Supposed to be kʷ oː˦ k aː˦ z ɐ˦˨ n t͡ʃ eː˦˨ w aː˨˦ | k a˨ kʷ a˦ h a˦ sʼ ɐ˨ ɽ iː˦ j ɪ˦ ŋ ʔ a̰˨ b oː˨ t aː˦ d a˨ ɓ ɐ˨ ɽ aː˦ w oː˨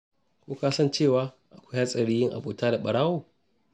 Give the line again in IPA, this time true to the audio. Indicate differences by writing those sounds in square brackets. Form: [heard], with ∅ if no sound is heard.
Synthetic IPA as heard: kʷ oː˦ k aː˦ [s] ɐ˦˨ n t͡ʃ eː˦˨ w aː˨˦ | [ʔ] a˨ kʷ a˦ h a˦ sʼ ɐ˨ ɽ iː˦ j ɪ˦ ŋ ʔ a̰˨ b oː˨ t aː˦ d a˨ ɓ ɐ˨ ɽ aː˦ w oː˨

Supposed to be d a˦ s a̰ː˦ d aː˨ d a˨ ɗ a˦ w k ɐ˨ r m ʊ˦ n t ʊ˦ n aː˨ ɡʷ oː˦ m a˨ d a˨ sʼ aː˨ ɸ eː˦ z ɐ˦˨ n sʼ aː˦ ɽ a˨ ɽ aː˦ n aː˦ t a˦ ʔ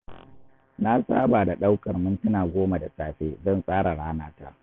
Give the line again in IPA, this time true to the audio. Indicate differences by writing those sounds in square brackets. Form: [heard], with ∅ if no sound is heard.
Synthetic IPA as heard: [n] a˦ s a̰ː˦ [b] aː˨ d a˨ ɗ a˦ w k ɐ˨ r m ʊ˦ n t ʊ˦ n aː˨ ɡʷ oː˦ m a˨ d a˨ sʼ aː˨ ɸ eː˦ z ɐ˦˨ n sʼ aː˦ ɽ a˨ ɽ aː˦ n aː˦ t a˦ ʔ

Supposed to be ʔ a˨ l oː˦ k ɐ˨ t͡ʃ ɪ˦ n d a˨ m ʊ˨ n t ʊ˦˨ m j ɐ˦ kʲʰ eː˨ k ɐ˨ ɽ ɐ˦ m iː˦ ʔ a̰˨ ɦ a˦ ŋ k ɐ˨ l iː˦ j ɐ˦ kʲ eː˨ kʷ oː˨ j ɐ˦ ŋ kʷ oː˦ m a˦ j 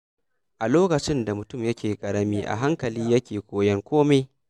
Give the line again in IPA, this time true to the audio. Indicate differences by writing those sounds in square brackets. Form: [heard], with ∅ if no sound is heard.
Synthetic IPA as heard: ʔ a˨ l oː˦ k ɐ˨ t͡ʃ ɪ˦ n d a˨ m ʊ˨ [∅] t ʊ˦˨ m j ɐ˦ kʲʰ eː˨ [kʼ] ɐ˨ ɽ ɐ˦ m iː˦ ʔ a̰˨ ɦ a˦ ŋ k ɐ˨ l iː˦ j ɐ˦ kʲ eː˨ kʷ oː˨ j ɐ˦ ŋ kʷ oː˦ m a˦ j

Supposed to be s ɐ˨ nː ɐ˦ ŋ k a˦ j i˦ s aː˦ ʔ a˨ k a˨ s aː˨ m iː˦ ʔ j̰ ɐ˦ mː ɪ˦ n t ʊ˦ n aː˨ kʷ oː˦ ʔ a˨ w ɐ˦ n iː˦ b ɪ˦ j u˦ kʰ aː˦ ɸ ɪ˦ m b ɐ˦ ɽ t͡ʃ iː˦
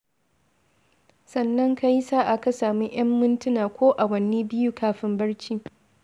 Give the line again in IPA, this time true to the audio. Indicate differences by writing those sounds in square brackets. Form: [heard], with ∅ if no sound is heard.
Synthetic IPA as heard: s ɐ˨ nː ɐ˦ ŋ k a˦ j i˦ s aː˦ ʔ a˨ k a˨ s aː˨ m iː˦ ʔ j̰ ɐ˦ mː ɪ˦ n t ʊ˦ n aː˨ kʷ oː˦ ʔ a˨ w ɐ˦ n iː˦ b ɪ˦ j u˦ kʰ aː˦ ɸ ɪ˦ m b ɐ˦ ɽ t͡ʃ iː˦

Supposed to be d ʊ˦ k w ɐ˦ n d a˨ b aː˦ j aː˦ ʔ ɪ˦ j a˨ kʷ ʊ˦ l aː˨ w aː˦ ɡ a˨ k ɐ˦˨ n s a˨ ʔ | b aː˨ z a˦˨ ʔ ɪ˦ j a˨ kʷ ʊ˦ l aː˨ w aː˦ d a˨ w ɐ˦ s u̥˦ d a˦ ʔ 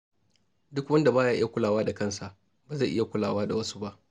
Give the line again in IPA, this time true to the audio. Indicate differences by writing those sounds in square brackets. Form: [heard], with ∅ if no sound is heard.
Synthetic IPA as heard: d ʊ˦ k w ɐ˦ n d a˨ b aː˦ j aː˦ ʔ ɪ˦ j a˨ kʷ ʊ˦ l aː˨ w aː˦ [d] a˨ k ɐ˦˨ n s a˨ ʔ | b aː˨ z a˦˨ ʔ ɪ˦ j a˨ kʷ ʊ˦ l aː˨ w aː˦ d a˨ w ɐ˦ s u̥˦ [b] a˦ ʔ

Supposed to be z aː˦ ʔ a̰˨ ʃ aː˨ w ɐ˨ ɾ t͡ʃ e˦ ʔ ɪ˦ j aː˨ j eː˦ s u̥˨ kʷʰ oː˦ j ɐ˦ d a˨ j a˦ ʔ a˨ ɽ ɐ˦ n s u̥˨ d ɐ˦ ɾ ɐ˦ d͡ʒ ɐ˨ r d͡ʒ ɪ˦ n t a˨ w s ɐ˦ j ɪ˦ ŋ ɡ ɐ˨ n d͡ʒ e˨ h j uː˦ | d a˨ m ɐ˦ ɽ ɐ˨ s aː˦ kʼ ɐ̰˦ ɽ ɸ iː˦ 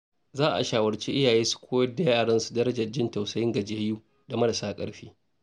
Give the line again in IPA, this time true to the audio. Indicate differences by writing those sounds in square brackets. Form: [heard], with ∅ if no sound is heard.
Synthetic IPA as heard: z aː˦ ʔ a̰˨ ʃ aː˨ w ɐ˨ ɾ t͡ʃ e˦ ʔ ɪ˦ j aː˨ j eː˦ s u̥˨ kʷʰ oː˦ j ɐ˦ d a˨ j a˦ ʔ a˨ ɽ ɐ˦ n s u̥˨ d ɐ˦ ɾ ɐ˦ d͡ʒ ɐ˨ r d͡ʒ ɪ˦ n t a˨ w s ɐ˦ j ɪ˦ ŋ ɡ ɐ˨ [∅] d͡ʒ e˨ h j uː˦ | d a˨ m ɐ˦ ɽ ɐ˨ s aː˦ kʼ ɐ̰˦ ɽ ɸ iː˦

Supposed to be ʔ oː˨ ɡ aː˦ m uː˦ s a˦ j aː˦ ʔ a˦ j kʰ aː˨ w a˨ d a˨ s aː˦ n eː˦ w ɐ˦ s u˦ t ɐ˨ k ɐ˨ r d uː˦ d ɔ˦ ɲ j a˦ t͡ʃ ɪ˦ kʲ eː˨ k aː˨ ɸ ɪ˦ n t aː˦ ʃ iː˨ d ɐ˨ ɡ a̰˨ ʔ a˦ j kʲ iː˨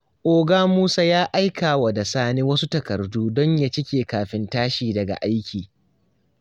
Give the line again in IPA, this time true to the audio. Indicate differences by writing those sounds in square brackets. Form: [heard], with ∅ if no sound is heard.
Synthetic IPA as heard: ʔ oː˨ ɡ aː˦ m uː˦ s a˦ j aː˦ ʔ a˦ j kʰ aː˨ w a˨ d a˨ s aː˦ n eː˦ w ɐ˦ s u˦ t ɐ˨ k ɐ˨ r d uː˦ d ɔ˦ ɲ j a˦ t͡ʃ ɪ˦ kʲ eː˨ k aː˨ ɸ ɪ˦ n t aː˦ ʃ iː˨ d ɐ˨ ɡ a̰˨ ʔ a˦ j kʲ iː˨

